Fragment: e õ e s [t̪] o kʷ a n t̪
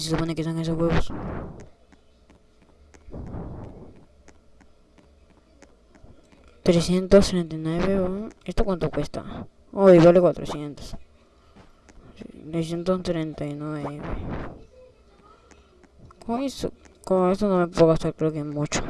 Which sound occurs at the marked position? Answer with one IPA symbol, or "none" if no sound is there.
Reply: t̪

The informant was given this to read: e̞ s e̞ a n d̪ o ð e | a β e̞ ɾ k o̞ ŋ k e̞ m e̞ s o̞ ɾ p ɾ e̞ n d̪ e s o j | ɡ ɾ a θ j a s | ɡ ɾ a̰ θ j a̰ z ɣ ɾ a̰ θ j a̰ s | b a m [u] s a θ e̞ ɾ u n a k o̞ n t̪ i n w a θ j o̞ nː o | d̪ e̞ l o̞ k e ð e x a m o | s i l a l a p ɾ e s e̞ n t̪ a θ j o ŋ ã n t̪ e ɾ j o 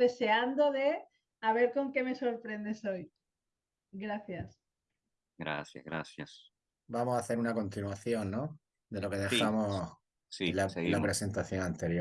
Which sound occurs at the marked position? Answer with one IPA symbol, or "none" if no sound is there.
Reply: o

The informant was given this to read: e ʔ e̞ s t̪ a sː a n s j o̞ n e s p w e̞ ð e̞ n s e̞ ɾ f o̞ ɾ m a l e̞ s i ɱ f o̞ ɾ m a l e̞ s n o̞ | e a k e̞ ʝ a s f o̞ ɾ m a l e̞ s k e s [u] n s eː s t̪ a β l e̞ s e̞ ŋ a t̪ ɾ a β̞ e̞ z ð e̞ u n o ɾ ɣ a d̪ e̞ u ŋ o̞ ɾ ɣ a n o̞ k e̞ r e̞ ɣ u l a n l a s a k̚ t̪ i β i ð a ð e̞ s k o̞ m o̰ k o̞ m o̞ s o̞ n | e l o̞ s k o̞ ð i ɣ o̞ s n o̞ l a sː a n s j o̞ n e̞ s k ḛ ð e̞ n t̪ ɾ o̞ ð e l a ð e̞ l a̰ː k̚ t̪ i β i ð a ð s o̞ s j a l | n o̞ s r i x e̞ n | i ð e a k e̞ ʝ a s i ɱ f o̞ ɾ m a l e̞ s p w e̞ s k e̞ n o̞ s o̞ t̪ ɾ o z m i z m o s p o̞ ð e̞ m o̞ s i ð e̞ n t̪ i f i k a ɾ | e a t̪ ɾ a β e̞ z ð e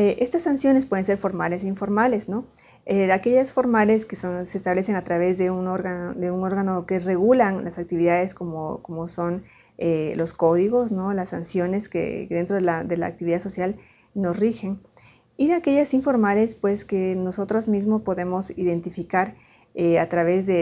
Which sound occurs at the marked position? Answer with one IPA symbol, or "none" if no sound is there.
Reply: o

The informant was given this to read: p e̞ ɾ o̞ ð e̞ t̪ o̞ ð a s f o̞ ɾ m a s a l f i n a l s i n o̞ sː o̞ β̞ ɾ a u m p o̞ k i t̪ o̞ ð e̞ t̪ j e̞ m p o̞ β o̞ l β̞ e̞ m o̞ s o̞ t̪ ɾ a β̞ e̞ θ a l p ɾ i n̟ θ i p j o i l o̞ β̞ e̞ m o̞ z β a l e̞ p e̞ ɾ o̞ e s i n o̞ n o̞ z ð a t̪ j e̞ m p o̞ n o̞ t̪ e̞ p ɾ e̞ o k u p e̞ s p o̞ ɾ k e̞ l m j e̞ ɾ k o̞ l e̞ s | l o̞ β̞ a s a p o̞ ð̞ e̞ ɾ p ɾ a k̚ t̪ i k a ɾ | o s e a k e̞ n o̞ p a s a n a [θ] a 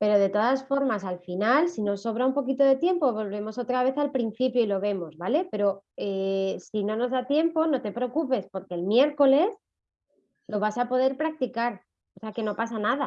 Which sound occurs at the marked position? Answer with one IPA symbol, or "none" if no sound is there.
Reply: ð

